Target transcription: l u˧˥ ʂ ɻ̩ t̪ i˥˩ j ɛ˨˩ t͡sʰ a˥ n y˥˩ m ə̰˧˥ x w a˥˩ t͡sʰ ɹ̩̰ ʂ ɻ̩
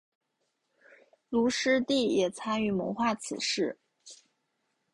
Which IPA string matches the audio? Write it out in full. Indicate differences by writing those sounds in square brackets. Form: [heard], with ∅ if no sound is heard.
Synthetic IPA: l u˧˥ ʂ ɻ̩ t̪ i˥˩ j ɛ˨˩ t͡sʰ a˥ n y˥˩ m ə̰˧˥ x w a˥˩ t͡sʰ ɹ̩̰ ʂ ɻ̩